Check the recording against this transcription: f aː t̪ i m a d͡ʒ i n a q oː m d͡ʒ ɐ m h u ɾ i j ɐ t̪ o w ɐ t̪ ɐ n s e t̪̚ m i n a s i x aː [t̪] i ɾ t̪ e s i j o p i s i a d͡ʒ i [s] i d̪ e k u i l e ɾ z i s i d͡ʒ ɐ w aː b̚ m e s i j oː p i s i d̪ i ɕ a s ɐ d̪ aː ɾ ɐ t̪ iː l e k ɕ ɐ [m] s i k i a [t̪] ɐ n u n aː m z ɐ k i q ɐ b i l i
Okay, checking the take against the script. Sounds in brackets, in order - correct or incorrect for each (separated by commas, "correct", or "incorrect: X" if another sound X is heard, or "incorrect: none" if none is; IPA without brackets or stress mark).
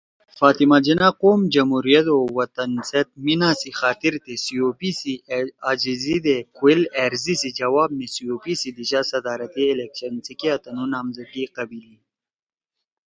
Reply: correct, incorrect: z, incorrect: n, correct